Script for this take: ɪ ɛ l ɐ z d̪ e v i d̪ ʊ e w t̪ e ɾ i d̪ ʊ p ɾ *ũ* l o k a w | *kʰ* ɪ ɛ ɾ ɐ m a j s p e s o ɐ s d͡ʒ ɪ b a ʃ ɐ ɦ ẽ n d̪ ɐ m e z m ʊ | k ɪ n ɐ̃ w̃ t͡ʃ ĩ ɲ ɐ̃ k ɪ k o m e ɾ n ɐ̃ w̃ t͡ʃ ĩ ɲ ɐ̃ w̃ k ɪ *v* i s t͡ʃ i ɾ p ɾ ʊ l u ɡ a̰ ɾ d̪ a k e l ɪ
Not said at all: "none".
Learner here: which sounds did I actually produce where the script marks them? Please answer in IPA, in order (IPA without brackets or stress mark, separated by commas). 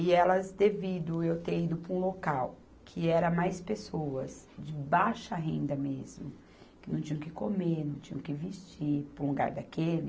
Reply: ũ, kʰ, v